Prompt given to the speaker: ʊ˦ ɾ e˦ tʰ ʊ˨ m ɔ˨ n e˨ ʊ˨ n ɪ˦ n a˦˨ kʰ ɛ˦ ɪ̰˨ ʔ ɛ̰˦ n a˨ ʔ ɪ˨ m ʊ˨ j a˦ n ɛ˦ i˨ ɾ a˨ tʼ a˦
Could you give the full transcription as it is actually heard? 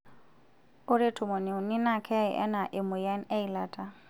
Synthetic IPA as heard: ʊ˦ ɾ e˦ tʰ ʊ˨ m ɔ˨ n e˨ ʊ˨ n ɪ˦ n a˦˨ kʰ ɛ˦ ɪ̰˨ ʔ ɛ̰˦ n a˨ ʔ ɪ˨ m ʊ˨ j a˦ n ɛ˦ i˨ l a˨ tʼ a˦